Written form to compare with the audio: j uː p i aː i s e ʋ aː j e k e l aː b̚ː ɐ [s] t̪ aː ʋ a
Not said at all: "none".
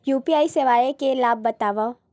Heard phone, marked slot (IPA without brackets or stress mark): none